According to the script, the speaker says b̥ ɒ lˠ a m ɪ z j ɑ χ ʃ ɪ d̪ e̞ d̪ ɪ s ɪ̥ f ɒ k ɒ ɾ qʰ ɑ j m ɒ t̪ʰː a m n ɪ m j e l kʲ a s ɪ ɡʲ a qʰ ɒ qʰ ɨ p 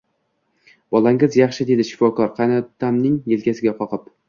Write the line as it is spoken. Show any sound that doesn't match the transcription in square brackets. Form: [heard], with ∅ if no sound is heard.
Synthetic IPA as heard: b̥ ɒ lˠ a [ŋ] ɪ z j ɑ χ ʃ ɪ d̪ e̞ d̪ ɪ [ʃ] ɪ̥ f ɒ k ɒ ɾ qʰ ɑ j [n] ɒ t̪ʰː a m n ɪ [ŋ] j e l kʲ a s ɪ ɡʲ a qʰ ɒ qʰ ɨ p